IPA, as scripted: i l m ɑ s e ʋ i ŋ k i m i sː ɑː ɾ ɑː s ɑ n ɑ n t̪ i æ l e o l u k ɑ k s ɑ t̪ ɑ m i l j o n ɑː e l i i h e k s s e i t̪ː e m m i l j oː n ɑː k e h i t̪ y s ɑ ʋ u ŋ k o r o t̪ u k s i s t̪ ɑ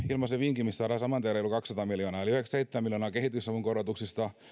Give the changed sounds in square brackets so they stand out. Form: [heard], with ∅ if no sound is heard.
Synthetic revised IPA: i l m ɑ s e ʋ i ŋ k i m i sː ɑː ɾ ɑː s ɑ [m] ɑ n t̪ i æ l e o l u k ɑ k s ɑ t̪ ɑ m i l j o n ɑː e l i [y] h e k s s e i t̪ː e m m i l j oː n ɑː k e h i t̪ y s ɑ ʋ u ŋ k o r o t̪ u k s i s t̪ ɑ